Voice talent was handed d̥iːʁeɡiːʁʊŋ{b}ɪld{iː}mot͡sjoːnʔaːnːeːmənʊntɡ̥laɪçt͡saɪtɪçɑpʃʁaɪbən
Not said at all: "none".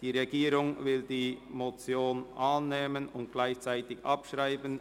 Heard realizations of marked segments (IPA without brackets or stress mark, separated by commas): v, iː